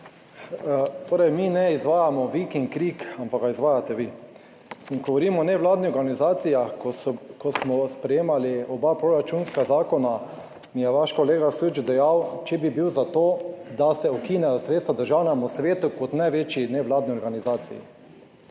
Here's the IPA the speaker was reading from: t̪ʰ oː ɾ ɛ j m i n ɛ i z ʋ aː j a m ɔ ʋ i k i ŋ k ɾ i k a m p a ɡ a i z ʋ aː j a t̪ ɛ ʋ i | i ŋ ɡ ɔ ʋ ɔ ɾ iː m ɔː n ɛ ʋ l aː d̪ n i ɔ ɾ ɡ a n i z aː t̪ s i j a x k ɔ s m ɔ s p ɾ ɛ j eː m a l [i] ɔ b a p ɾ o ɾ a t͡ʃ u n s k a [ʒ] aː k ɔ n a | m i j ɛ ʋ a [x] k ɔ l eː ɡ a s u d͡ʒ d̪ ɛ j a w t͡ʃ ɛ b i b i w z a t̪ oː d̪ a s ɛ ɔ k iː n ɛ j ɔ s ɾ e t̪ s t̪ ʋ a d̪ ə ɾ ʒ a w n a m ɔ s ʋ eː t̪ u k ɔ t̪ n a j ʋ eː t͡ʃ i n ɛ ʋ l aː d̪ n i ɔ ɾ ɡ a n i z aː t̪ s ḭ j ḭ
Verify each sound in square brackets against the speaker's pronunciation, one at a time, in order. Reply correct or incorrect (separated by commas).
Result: correct, incorrect, incorrect